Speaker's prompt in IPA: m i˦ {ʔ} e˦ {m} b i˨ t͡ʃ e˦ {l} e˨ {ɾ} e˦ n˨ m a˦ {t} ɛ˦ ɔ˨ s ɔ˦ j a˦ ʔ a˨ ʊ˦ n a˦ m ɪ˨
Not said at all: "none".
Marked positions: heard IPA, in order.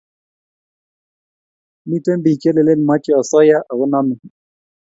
t, m, l, l, t͡ʃ

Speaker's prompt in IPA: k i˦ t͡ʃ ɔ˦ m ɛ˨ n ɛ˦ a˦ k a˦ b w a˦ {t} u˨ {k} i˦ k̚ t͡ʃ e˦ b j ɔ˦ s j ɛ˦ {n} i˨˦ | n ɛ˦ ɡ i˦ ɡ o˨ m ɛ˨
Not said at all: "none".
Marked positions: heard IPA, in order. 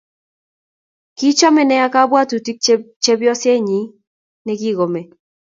t, t, ɲ

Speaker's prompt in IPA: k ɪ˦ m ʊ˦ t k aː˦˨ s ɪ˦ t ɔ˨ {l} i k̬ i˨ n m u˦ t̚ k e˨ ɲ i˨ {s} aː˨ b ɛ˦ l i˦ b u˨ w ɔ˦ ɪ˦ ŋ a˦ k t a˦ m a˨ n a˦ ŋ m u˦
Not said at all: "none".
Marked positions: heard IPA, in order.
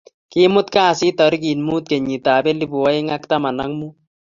ɾ, t

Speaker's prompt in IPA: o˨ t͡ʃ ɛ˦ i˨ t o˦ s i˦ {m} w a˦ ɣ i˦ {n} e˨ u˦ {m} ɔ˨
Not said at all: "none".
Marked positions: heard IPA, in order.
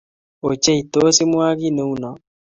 m, n, n

